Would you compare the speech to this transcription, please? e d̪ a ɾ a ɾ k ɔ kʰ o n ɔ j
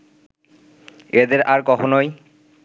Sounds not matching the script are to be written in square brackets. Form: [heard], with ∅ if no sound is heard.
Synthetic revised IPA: e d̪ [e] ɾ a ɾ k ɔ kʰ o n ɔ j